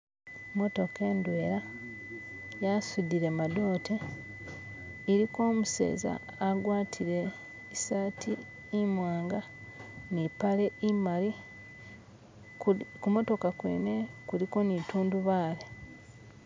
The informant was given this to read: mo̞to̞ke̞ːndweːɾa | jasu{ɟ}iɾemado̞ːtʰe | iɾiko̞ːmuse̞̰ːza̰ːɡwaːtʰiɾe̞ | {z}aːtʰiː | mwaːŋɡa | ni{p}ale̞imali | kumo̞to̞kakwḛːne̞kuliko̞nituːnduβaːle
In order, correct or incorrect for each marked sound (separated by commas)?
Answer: incorrect, incorrect, correct